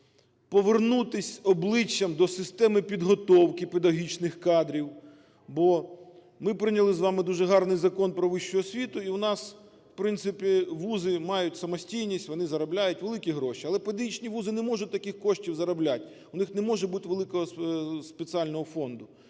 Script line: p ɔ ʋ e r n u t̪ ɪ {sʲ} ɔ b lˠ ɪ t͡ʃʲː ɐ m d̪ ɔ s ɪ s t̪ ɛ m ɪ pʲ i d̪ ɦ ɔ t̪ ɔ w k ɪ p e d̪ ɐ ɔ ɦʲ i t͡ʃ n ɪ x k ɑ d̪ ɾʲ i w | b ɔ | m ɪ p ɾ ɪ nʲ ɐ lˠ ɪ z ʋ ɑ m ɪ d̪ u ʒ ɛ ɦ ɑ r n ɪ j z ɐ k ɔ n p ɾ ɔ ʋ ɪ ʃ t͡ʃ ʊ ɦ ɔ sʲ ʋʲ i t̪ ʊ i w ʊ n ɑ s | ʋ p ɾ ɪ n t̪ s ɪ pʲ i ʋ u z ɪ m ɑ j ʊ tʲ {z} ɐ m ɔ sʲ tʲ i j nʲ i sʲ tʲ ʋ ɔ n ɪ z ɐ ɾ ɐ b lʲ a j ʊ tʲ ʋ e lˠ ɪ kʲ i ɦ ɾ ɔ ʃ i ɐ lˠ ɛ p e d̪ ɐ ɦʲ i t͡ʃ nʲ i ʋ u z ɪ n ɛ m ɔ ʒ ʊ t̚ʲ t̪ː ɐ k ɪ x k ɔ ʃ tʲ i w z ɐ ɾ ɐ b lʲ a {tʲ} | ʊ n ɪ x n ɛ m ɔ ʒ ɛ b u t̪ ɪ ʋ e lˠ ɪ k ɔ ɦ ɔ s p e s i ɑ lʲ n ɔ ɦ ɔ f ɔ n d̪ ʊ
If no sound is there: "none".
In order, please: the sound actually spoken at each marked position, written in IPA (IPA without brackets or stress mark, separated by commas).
sʲ, s, tʲ